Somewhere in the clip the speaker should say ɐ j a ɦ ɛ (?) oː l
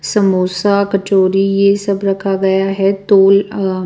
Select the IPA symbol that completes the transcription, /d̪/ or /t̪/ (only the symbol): t̪